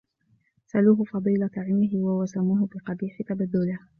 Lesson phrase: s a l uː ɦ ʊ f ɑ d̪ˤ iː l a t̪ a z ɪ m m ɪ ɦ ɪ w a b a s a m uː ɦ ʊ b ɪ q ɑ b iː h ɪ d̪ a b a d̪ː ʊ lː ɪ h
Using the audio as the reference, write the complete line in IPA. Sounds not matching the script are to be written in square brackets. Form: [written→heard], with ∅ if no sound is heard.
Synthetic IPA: s a l uː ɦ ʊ f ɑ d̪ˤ iː l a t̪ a [z→ʕ] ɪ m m ɪ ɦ ɪ w a [b→w] a s a m uː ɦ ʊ b ɪ q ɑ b iː [h→ħ] ɪ [d̪→t̪] a b a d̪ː ʊ [lː→l] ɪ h